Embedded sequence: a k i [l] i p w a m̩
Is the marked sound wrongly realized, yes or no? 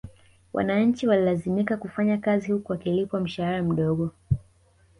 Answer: no